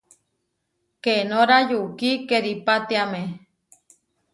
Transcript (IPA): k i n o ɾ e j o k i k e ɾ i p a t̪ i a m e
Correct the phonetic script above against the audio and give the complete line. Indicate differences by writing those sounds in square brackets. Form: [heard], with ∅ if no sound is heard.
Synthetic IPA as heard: k [e] n o ɾ [a] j [u] k i k e ɾ i p a t̪ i a m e